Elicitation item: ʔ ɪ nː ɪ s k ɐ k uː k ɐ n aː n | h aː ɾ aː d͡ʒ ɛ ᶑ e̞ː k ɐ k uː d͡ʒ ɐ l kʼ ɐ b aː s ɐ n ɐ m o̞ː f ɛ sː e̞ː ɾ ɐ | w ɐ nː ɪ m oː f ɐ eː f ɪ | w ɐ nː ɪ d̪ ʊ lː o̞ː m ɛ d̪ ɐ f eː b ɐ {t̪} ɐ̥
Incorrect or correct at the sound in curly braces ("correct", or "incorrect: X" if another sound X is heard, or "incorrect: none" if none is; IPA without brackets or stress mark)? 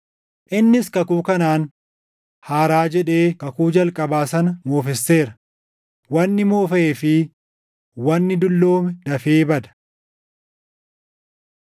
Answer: incorrect: d̪